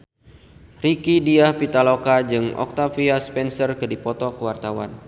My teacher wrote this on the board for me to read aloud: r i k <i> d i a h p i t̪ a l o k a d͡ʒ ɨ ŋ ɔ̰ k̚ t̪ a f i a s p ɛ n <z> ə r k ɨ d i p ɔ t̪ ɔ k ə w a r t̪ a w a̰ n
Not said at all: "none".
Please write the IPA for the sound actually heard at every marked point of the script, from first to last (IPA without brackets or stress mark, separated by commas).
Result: i, s